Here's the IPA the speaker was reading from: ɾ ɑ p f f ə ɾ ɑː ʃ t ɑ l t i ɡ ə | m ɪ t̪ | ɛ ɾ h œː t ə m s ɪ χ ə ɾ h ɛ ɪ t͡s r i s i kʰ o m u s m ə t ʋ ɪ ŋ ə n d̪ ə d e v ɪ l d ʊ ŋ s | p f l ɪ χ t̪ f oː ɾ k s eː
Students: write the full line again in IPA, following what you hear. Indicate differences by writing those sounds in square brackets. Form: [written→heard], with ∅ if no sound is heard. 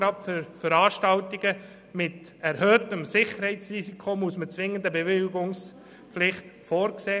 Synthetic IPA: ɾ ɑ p f f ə ɾ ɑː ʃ t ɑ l t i ɡ ə | m ɪ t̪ | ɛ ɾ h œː t ə m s ɪ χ ə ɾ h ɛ ɪ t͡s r i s i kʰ o m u s m ə [t→t͡s] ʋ ɪ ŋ ə n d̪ ə [d→b] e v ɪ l [d→ɡ] ʊ ŋ s | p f l ɪ χ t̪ f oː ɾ k s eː